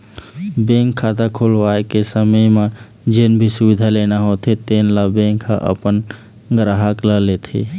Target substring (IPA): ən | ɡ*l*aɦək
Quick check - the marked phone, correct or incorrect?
incorrect